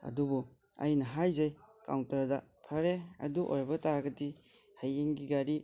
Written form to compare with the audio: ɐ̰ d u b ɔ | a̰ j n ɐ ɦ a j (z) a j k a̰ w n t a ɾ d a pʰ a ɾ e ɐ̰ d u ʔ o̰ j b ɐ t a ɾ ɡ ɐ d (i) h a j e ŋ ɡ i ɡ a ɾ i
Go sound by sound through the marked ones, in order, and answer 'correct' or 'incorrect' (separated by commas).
correct, correct